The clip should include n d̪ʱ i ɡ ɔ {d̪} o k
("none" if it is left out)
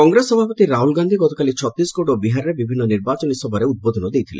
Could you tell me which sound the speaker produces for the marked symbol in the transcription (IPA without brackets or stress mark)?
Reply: t̪